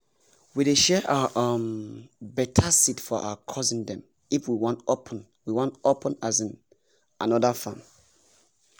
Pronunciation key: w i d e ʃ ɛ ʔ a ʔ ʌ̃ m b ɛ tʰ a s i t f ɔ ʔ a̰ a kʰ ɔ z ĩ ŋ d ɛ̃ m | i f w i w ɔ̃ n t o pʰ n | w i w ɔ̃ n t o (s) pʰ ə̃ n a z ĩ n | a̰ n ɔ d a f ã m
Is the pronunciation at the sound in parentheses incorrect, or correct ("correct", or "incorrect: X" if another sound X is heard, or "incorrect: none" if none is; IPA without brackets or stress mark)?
incorrect: none